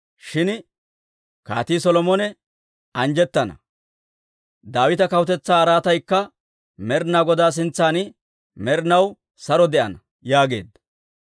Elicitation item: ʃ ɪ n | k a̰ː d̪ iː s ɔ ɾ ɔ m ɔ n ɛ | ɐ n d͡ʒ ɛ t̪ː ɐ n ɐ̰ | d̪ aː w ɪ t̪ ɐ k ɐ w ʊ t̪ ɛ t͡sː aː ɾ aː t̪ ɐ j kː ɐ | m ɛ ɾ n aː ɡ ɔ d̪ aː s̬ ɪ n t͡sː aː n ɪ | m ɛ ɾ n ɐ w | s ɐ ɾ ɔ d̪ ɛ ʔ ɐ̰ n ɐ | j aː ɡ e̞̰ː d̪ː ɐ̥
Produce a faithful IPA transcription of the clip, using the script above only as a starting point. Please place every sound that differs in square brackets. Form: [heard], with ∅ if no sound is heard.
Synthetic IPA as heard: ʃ ɪ n | k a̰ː [t̪] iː s ɔ [l] ɔ m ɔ n ɛ | ɐ n d͡ʒ ɛ t̪ː ɐ n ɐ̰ | d̪ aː w ɪ t̪ ɐ k ɐ w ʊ t̪ ɛ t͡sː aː ɾ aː t̪ ɐ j kː ɐ | m ɛ ɾ n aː ɡ ɔ d̪ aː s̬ ɪ n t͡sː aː n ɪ | m ɛ ɾ n ɐ w | s ɐ ɾ ɔ d̪ ɛ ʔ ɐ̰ n ɐ | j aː ɡ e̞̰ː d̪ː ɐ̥